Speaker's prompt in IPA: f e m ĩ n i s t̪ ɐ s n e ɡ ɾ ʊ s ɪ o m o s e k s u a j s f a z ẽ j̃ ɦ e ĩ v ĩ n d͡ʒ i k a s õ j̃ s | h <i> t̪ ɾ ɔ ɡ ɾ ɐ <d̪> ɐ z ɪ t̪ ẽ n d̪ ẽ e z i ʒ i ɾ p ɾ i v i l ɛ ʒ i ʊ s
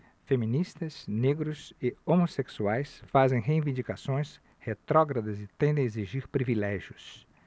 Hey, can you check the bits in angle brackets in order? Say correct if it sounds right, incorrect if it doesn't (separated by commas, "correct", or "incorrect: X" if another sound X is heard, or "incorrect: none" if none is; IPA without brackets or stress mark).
incorrect: e, correct